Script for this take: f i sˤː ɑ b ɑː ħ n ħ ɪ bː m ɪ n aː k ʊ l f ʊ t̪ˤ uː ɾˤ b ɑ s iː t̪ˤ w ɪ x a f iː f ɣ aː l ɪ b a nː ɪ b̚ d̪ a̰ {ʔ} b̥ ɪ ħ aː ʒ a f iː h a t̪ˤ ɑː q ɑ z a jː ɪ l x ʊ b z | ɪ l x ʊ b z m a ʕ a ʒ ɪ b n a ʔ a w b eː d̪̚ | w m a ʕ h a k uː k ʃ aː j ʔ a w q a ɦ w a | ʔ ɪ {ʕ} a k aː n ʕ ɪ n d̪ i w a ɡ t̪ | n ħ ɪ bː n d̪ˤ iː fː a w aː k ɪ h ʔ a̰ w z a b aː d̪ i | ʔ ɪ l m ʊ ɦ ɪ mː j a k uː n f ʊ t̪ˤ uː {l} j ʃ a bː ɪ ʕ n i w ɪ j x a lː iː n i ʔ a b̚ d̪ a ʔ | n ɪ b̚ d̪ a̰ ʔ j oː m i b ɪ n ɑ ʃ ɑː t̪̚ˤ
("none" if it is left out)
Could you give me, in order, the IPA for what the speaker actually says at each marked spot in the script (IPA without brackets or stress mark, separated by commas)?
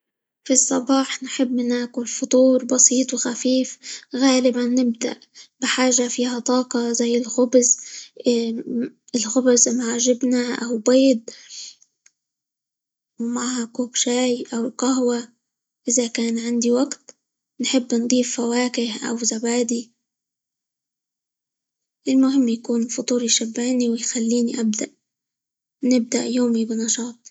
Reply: ʔ, z, ɾ